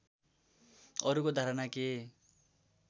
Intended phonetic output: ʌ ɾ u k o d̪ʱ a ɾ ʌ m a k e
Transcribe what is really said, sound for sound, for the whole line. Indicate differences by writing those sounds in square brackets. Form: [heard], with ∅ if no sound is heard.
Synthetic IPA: ʌ ɾ u k o d̪ʱ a ɾ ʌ [n] a k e